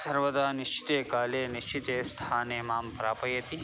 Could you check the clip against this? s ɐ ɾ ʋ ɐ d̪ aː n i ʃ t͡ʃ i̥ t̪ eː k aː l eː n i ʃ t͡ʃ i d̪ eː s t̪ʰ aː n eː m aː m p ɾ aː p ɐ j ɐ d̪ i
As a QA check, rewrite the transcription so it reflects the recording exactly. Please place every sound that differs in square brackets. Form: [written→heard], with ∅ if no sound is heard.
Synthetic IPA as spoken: s ɐ ɾ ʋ ɐ d̪ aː n i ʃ t͡ʃ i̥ t̪ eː k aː l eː n i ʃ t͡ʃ i [d̪→t̪] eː s t̪ʰ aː n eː m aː m p ɾ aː p ɐ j ɐ [d̪→t̪] i